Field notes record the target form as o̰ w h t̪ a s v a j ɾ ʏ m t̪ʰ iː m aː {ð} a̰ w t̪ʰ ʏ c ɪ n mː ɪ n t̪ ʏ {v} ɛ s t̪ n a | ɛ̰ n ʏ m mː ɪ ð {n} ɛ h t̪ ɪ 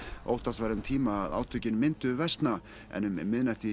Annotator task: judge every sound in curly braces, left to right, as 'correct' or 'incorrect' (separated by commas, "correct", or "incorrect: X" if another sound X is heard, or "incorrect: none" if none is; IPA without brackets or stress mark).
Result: correct, correct, correct